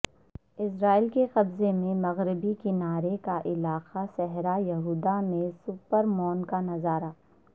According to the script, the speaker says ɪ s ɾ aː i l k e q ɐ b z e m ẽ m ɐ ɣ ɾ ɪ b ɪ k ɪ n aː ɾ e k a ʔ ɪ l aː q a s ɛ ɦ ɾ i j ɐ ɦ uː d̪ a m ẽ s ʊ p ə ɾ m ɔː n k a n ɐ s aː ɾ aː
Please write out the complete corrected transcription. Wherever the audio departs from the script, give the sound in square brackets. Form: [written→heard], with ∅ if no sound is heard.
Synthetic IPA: ɪ s ɾ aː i l k e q ɐ b z e m ẽ m ɐ ɣ ɾ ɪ b [ɪ→i] k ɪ n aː ɾ e k a ʔ ɪ l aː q a s ɛ ɦ ɾ [i→a] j ɐ ɦ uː d̪ a m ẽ s ʊ p ə ɾ m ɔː n k a n ɐ [s→z] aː ɾ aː